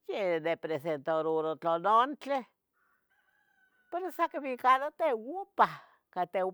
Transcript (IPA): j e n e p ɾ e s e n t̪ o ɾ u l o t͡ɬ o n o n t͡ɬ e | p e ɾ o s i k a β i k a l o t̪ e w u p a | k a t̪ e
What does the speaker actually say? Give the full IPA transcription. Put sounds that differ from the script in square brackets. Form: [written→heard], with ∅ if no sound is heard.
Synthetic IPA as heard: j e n e p ɾ e s e n t̪ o ɾ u [l→ɾ] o t͡ɬ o n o n t͡ɬ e | p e ɾ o s [i→a] k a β i k a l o t̪ e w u p a | k a t̪ e